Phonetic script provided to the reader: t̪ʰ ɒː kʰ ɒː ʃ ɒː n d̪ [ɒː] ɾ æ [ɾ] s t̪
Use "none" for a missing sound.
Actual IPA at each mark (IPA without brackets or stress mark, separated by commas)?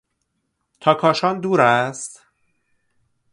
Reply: uː, none